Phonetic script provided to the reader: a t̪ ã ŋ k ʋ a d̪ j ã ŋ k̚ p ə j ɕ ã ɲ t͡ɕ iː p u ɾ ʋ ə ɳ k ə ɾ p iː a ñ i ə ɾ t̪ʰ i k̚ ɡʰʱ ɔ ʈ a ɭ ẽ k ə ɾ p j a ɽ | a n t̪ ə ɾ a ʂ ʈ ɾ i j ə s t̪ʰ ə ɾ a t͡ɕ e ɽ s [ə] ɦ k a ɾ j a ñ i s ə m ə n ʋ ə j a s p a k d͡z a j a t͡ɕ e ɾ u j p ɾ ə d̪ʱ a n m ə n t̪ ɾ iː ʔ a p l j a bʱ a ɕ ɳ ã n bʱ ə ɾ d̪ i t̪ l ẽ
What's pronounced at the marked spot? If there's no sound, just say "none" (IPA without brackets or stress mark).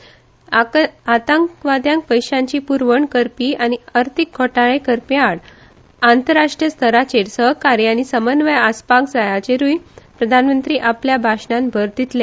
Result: ə